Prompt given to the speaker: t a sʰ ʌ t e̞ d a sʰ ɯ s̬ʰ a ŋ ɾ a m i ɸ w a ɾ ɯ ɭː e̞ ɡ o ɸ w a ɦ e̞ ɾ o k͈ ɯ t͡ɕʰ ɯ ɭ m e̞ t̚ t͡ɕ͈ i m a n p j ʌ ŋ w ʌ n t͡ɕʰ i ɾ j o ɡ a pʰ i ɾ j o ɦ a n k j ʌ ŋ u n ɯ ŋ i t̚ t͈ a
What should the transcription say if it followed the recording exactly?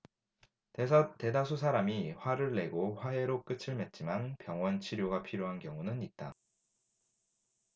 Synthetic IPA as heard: t e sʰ ʌ t e̞ d a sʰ u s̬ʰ a ɾ a m i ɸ w a ɾ ɯ ɭː e̞ ɡ o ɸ w a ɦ e̞ ɾ o k͈ ɯ t͡ɕʰ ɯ ɭ m e̞ t̚ t͡ɕ͈ i m a n p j ʌ ŋ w ʌ n t͡ɕʰ i ɾ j o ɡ a pʰ i ɾ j o ɦ a n k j ʌ ŋ u n ɯ n i t̚ t͈ a